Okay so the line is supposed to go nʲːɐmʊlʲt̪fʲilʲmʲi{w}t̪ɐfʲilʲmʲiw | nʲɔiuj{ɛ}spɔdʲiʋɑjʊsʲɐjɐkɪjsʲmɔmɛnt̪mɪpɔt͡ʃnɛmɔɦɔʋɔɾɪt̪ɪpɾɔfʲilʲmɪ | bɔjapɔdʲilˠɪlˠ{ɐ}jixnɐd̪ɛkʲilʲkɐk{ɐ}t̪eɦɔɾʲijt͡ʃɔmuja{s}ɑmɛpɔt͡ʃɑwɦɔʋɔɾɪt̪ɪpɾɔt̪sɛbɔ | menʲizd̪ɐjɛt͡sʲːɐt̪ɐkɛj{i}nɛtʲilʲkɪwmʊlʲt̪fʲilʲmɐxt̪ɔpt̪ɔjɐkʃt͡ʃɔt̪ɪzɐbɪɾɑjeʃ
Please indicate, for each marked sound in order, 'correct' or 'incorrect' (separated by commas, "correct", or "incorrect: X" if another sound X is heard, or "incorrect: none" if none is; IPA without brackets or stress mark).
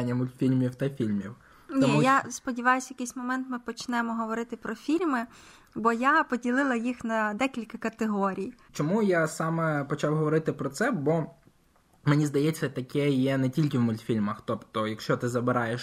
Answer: correct, incorrect: a, correct, correct, correct, incorrect: ɛ